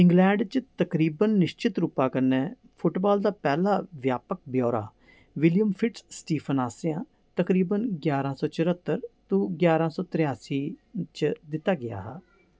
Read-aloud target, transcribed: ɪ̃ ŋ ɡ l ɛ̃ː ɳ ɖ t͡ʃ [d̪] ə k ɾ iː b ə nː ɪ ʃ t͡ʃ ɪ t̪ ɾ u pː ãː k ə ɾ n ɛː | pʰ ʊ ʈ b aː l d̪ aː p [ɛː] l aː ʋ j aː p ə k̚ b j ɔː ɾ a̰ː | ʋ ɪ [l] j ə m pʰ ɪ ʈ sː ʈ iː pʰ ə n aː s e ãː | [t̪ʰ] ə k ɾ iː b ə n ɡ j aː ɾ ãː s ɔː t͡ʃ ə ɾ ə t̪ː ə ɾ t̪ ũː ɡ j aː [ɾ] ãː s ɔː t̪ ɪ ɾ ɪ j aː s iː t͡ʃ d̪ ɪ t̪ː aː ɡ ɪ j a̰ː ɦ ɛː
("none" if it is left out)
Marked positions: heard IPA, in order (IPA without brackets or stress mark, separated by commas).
t̪, ɛː, l, t̪, ɾ